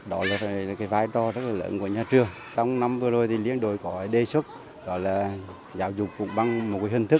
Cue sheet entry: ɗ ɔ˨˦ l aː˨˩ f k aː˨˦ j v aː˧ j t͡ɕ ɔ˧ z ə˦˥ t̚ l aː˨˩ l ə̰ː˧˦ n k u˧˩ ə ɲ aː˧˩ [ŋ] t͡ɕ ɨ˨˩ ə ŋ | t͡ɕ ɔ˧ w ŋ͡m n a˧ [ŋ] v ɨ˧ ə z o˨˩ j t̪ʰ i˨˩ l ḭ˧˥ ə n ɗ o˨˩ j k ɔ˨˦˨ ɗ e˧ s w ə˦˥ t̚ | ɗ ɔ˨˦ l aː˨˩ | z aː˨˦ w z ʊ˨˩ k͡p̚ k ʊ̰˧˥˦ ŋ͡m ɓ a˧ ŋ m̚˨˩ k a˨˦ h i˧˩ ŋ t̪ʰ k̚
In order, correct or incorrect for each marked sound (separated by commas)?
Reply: incorrect, incorrect